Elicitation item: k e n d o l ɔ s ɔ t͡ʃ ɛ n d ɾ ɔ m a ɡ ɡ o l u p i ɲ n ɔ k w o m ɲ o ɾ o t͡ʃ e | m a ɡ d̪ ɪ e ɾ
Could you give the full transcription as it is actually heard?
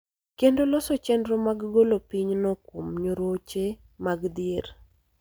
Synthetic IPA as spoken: k e n d o l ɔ s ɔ t͡ʃ ɛ n d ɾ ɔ m a ɡ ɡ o l o p i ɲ n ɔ k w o m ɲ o ɾ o t͡ʃ e | m a ɡ d̪ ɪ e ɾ